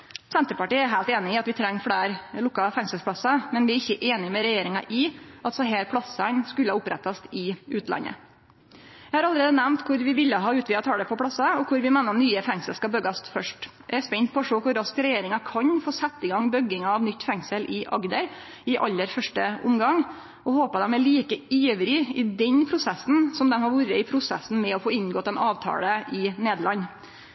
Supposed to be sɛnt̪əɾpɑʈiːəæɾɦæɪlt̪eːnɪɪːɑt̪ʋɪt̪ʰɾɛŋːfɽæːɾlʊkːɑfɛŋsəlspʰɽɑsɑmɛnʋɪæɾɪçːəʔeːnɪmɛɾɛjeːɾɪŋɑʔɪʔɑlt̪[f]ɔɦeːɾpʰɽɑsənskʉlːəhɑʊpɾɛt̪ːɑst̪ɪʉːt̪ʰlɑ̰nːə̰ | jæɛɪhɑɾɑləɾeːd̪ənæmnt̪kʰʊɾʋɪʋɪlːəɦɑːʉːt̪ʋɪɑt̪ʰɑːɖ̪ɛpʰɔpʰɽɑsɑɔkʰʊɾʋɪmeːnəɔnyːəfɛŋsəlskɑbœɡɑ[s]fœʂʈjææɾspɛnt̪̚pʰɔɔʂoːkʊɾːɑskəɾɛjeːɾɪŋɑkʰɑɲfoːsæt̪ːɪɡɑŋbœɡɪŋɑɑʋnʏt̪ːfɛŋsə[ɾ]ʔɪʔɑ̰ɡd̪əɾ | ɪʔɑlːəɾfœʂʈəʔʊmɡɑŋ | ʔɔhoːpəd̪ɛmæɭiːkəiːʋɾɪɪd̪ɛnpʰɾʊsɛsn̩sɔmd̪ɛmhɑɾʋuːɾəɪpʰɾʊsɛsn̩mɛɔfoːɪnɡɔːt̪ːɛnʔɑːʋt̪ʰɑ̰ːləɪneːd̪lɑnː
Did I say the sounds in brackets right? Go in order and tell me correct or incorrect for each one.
incorrect: s, correct, incorrect: l

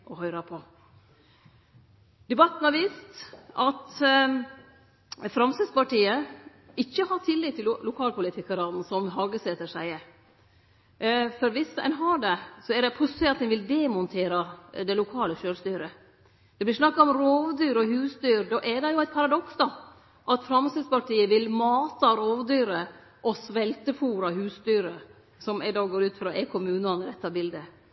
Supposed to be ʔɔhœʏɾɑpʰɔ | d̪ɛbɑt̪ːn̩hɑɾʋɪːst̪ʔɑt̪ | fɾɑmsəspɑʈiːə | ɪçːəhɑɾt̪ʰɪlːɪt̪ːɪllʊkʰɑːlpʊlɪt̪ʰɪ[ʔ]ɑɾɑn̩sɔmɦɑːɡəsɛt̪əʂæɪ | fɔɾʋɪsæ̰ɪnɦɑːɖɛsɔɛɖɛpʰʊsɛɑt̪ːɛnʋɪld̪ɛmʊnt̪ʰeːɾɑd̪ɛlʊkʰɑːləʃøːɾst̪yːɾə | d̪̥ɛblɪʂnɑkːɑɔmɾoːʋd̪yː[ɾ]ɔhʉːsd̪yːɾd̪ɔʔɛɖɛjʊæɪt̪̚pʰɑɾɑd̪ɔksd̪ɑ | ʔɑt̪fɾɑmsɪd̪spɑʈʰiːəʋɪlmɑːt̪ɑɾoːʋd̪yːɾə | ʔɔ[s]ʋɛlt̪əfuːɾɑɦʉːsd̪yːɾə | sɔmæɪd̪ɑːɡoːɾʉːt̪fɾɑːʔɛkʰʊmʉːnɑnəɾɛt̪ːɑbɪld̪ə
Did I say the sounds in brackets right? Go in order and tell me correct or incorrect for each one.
incorrect: k, correct, correct

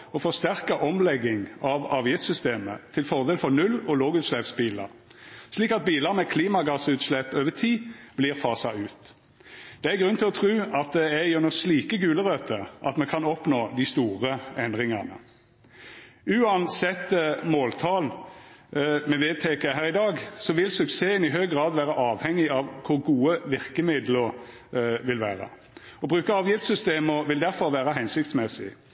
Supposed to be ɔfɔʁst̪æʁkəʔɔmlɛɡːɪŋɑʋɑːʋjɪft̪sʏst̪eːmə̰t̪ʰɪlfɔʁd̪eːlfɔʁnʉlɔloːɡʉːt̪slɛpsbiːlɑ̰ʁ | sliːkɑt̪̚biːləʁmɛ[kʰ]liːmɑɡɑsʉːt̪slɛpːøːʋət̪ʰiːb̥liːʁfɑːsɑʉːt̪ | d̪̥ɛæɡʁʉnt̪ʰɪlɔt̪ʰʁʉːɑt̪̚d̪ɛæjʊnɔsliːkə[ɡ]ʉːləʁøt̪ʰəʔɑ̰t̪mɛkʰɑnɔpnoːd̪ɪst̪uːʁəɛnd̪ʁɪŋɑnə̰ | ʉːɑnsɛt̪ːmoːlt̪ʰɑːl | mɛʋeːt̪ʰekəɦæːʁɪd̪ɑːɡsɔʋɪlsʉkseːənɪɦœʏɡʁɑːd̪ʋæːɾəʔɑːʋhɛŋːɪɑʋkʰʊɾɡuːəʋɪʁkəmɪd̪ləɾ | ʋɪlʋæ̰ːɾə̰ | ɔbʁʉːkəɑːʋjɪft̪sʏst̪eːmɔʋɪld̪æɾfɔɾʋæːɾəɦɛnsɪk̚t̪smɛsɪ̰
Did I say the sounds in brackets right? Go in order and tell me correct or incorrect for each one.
correct, correct

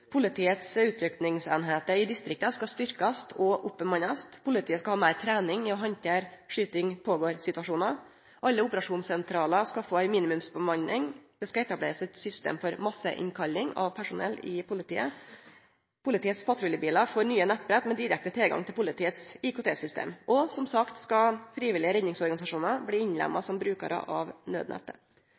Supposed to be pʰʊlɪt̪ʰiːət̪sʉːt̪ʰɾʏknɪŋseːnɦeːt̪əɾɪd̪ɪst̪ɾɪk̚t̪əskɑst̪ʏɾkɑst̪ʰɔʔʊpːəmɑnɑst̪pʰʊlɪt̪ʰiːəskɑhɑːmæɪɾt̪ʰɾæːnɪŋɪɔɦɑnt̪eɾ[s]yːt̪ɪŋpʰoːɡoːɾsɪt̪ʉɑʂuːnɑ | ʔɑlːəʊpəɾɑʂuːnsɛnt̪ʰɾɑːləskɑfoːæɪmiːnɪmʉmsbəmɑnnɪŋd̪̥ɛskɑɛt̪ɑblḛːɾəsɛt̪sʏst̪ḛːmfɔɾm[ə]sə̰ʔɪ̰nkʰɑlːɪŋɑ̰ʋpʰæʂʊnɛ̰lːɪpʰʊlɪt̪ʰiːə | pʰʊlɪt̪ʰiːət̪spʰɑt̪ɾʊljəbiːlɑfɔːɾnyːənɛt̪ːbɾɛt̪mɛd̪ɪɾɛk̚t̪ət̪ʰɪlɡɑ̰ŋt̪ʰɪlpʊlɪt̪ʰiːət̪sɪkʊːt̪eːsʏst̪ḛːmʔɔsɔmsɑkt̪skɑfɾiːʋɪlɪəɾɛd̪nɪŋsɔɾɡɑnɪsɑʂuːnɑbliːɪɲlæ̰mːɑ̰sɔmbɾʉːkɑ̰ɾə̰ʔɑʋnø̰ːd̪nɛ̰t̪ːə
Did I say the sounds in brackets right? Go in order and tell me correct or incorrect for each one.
incorrect: ʂ, incorrect: ɑ

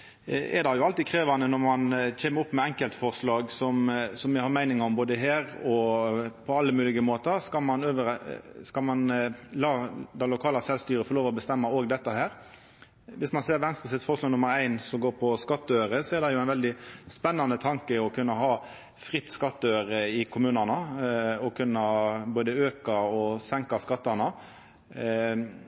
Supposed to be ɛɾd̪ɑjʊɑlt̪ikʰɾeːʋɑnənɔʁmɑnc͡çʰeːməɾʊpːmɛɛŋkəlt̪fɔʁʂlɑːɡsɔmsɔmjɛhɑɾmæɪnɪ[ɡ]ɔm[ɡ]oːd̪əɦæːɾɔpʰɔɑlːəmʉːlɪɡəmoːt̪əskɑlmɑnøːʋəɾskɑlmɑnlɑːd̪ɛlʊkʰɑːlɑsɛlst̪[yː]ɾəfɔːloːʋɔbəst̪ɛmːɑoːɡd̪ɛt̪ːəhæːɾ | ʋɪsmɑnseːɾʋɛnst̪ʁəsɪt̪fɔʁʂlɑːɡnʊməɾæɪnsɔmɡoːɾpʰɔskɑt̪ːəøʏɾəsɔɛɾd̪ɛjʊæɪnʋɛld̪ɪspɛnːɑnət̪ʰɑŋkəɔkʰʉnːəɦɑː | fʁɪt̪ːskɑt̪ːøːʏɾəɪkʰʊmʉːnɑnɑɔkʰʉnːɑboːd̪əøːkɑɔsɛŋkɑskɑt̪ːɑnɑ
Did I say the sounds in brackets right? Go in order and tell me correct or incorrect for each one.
incorrect: ŋ, incorrect: b, correct

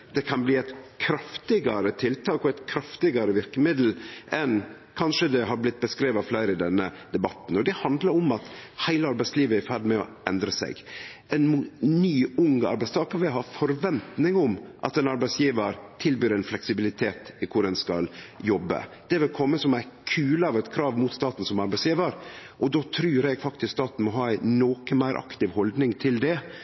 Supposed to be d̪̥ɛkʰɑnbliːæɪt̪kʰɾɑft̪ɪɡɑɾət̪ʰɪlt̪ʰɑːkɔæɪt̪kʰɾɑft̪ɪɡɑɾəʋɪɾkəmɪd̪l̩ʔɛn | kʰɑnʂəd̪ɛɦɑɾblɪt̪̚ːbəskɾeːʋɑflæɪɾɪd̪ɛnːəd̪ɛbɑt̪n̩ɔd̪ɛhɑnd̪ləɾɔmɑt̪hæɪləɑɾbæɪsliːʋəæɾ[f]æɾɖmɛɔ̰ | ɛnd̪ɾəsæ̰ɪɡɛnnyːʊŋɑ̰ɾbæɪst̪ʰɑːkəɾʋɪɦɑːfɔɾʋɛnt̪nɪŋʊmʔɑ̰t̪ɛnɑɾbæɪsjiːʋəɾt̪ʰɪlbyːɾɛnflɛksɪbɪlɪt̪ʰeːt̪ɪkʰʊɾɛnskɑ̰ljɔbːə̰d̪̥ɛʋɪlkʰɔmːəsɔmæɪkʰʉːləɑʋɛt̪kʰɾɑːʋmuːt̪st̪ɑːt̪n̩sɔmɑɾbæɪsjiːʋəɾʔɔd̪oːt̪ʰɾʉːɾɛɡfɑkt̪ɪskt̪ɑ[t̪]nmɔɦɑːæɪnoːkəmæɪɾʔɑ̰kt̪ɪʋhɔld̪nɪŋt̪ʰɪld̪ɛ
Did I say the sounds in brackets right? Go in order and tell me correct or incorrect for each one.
correct, correct

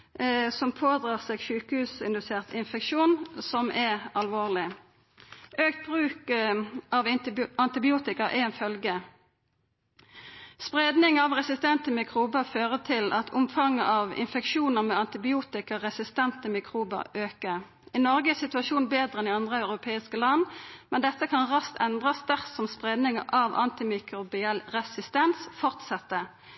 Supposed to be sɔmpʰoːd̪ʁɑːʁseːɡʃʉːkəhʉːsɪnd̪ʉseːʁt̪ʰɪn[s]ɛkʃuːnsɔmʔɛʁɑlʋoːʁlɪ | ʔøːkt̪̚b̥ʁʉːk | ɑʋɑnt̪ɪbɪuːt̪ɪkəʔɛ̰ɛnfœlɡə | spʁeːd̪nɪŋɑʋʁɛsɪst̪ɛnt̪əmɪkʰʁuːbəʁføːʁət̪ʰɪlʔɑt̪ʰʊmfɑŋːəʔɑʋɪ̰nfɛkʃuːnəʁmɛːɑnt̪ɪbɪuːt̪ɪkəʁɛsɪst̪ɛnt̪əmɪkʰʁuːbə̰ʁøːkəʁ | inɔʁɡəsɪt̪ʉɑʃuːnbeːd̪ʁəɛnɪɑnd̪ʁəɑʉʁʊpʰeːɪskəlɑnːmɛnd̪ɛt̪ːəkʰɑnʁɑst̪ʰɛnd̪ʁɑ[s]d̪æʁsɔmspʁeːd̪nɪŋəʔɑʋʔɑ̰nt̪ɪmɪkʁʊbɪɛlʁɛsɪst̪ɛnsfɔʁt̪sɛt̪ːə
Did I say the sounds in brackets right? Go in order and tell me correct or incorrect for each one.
incorrect: f, correct

